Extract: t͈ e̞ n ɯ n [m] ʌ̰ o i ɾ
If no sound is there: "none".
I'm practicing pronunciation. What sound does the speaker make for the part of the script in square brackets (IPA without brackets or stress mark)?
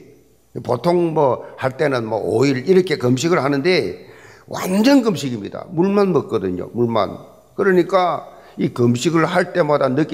m